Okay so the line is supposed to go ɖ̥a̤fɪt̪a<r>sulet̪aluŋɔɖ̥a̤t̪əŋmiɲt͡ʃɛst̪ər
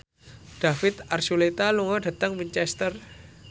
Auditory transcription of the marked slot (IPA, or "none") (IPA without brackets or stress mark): r